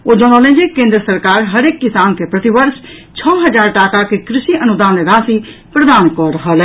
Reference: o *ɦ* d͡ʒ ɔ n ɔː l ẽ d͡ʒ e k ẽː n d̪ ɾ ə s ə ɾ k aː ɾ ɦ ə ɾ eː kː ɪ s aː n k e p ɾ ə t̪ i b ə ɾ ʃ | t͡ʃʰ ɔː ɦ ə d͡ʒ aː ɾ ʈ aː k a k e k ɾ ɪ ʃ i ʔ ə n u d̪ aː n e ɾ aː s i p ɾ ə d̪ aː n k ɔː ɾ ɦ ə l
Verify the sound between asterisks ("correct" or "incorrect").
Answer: incorrect